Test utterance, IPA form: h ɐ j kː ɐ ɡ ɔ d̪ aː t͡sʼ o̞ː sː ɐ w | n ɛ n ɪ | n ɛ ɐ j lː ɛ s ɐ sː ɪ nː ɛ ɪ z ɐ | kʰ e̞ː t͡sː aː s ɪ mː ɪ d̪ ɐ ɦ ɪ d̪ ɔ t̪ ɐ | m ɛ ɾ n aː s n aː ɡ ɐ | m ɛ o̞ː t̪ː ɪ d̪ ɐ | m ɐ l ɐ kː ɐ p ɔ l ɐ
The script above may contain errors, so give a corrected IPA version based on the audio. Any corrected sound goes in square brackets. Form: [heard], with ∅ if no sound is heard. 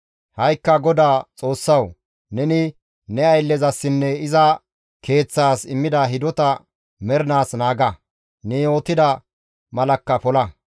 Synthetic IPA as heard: h ɐ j kː ɐ ɡ ɔ d̪ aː t͡sʼ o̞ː sː ɐ w | n ɛ n ɪ | n ɛ ɐ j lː ɛ [z] ɐ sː ɪ nː ɛ ɪ z ɐ | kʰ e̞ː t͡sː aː s ɪ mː ɪ d̪ ɐ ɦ ɪ d̪ ɔ t̪ ɐ | m ɛ ɾ n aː s n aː ɡ ɐ | [n] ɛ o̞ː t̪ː ɪ d̪ ɐ | m ɐ l ɐ kː ɐ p ɔ l ɐ